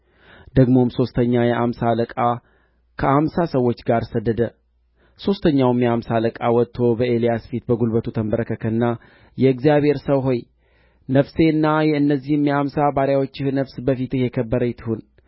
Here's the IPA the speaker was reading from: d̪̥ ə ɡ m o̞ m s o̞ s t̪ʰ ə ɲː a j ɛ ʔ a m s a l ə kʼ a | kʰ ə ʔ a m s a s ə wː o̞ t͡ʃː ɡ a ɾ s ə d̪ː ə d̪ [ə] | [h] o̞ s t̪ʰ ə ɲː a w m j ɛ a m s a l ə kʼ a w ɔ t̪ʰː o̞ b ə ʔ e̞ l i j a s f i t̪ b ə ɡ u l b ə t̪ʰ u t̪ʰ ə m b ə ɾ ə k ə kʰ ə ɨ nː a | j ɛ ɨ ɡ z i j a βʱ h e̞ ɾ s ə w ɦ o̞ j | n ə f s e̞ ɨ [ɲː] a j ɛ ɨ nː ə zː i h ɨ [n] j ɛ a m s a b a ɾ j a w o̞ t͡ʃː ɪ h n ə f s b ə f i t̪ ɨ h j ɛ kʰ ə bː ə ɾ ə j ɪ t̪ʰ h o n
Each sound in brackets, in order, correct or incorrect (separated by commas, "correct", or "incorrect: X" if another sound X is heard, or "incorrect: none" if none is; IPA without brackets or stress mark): correct, incorrect: s, incorrect: nː, incorrect: m